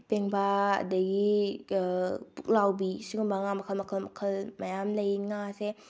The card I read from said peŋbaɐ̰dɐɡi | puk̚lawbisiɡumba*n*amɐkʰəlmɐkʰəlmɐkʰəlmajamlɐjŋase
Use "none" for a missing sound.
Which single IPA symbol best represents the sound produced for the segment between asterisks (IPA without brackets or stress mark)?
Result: ŋ